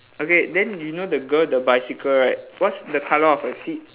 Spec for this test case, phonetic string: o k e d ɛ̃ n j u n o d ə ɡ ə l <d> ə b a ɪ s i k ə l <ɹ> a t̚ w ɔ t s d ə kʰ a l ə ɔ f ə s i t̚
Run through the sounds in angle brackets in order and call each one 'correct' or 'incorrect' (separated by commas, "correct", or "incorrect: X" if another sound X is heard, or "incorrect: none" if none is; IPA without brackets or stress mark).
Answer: correct, correct